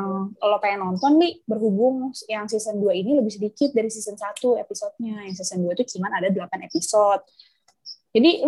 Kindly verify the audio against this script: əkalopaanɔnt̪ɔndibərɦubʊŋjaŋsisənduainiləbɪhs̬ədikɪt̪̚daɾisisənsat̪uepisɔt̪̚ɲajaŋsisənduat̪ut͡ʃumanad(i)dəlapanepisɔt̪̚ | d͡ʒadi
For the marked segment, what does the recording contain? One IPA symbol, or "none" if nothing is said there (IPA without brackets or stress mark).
a